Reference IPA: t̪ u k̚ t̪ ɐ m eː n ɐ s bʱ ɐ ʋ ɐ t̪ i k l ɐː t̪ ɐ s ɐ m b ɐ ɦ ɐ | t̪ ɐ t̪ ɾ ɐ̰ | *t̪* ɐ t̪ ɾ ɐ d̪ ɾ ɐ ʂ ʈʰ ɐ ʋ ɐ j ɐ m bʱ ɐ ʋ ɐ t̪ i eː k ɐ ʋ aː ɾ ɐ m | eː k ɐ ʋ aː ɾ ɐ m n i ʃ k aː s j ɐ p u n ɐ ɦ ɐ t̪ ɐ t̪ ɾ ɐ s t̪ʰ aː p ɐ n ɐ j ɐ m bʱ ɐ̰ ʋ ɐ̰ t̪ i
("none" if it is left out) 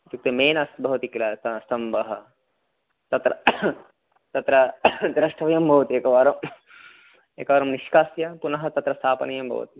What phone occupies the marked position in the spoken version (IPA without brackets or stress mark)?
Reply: t̪